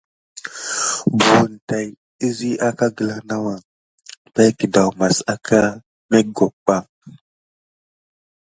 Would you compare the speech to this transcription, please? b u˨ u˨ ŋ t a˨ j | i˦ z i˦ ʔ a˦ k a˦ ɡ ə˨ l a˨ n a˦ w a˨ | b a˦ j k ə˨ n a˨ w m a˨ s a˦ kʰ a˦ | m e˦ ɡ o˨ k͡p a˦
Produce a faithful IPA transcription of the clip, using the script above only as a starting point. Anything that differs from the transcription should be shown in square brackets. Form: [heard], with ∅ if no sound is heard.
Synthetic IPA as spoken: b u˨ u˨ [n] t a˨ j | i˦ z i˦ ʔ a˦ k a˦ ɡ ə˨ l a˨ n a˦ w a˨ | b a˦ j k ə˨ [d] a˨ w m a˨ s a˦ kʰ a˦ | m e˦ ɡ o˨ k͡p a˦